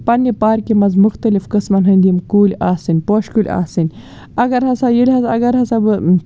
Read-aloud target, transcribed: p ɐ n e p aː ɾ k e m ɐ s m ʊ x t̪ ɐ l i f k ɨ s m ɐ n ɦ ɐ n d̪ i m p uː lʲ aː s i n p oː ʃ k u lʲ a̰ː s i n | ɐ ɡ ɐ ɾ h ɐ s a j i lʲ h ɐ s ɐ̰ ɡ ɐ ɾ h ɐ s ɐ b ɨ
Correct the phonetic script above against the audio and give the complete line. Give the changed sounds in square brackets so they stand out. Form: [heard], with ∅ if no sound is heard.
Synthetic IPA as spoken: p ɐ n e p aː ɾ k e m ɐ [z] m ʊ x t̪ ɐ l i f k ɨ s m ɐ n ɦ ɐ n d̪ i m [k] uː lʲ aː s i n p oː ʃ k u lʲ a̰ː s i n | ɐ ɡ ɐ ɾ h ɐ s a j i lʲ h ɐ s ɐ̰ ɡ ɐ ɾ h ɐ s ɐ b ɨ